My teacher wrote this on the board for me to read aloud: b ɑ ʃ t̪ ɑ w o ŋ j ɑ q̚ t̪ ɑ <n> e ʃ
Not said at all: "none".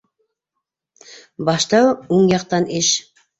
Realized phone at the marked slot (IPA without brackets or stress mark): n